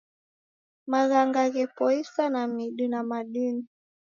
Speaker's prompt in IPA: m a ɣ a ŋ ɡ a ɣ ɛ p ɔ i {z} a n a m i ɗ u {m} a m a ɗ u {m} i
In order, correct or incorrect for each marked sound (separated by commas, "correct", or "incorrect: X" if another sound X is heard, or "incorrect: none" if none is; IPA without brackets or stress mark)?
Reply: incorrect: s, incorrect: n, incorrect: n